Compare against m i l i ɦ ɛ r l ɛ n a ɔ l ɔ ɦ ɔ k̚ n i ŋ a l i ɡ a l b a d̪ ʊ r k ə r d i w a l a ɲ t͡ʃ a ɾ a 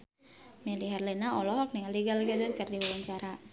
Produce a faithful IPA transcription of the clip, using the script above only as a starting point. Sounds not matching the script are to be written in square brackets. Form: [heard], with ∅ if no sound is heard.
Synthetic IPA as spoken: m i l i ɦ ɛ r l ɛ n a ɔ l ɔ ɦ ɔ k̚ n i ŋ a l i ɡ a l [ɡ] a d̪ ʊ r k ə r d i w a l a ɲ t͡ʃ a ɾ a